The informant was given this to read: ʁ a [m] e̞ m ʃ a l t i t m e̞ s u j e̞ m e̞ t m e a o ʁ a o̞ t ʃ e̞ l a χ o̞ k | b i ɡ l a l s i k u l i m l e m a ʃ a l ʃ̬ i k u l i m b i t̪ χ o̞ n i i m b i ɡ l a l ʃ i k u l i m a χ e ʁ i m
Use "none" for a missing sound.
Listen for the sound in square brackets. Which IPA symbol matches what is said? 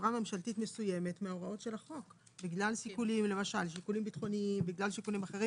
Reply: m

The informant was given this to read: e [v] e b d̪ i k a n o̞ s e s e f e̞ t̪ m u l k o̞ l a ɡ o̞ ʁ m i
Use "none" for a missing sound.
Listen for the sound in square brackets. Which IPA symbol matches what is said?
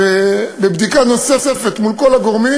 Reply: b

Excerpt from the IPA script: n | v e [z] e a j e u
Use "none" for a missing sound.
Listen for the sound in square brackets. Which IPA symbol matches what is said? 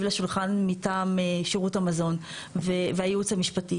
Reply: v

